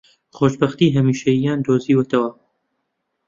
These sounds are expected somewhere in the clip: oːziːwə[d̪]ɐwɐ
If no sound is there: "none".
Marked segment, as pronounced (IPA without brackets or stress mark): t̪